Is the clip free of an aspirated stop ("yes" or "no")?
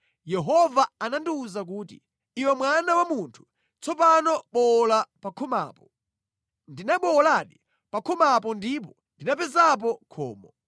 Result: no